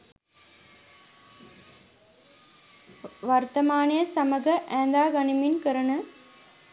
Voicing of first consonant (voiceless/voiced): voiced